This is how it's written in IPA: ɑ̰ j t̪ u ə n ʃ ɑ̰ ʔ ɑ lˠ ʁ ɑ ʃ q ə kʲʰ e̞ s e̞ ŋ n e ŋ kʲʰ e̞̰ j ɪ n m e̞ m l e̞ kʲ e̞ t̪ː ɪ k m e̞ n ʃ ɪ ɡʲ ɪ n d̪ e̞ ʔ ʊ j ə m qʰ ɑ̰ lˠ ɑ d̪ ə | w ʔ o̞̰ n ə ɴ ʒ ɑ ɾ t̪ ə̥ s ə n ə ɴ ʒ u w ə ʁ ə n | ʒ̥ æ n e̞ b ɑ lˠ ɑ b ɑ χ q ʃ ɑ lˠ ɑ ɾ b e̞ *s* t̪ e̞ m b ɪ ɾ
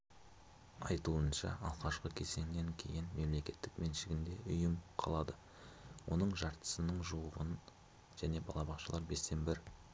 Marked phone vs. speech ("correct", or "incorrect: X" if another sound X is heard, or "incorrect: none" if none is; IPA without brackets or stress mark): correct